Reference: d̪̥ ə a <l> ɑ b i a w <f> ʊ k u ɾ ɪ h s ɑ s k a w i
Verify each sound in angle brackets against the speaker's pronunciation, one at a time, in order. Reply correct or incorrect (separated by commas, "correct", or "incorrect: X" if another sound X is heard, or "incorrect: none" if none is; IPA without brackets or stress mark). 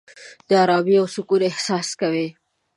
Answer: incorrect: ɾ, incorrect: s